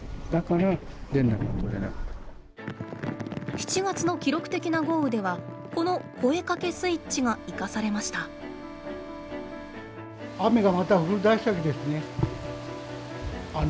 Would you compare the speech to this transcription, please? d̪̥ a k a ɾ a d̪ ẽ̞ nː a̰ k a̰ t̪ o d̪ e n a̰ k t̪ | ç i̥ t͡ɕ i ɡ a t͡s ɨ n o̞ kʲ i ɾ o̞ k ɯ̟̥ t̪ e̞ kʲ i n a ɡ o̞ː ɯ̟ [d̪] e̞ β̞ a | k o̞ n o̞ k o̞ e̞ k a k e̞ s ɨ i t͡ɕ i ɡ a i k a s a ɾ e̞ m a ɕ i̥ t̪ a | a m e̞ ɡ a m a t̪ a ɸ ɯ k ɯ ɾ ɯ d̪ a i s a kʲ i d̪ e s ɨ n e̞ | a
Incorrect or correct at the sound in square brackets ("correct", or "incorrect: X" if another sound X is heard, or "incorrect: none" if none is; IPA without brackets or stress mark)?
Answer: correct